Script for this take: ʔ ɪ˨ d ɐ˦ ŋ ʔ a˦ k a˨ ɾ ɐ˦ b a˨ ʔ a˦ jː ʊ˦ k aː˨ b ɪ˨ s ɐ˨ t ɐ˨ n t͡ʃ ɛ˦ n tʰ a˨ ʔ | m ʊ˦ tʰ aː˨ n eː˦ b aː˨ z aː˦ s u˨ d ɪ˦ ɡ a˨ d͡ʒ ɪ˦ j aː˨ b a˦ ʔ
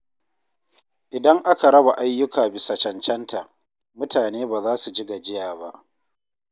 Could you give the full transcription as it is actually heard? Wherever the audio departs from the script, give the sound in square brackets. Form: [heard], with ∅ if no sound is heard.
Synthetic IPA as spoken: ʔ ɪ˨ d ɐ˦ ŋ ʔ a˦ k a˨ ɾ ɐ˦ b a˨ ʔ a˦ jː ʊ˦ k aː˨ b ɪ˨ s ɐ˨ [t͡ʃ] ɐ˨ n t͡ʃ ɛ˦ n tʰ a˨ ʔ | m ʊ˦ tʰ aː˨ n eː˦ b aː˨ z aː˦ s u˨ [d͡ʒ] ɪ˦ ɡ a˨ d͡ʒ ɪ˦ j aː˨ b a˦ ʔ